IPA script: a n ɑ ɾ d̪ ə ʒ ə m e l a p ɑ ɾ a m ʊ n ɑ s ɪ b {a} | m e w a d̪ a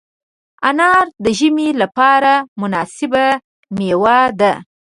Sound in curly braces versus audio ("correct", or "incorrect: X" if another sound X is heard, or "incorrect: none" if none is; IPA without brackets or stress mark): correct